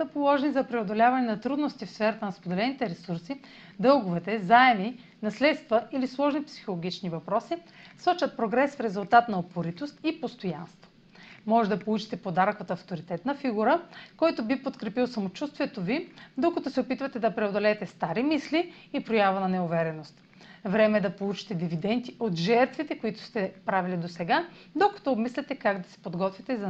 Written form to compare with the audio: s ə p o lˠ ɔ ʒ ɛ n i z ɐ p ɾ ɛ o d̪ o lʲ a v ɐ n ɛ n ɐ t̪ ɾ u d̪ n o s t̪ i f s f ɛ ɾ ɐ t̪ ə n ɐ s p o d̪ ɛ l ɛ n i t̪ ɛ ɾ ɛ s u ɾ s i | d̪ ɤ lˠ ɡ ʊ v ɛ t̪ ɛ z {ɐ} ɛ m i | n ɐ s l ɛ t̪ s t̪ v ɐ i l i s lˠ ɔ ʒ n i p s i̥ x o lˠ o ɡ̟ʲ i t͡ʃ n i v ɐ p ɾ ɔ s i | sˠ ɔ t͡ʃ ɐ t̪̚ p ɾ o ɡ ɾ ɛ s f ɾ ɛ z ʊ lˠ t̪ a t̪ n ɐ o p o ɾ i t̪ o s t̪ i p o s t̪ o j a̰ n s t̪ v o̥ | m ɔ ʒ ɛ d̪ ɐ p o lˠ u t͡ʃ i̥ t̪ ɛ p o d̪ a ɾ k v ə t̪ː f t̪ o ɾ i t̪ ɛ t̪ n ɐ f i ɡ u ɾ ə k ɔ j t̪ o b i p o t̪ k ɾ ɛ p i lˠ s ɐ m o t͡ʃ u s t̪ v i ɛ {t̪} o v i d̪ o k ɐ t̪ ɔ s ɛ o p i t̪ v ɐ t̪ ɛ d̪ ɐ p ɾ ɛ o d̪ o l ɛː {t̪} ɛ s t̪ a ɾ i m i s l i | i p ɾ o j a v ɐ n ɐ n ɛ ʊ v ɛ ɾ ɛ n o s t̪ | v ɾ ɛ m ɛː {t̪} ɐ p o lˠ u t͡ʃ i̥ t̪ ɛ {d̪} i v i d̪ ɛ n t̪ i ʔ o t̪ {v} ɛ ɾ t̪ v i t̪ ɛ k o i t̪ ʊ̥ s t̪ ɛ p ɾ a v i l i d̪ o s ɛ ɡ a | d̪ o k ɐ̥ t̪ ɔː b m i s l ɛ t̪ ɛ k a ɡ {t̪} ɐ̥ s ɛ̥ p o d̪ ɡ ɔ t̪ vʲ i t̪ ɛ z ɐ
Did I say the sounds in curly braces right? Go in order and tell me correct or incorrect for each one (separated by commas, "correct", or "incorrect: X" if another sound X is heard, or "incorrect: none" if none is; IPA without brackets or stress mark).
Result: incorrect: a, correct, correct, incorrect: d̪, correct, incorrect: ʒ, incorrect: d̪